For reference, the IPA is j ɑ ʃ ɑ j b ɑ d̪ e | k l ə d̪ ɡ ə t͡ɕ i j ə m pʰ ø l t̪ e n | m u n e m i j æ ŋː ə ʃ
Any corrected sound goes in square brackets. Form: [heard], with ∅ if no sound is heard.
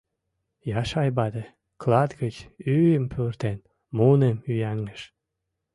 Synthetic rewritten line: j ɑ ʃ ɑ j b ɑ d̪ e | k l [ɑ] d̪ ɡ ə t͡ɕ [y] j ə m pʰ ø [r] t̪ e n | m u n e m [y] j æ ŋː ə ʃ